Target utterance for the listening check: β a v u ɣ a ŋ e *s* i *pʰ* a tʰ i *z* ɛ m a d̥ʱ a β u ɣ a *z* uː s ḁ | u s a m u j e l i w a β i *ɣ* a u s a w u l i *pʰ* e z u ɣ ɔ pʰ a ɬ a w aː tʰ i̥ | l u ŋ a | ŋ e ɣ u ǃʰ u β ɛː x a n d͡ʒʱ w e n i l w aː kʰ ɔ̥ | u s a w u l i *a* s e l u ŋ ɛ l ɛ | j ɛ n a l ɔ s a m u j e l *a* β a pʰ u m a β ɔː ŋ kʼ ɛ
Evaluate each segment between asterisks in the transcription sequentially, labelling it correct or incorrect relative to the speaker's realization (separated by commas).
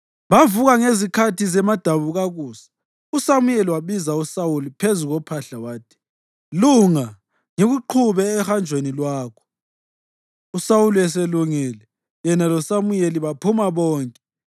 incorrect, incorrect, correct, incorrect, incorrect, correct, incorrect, incorrect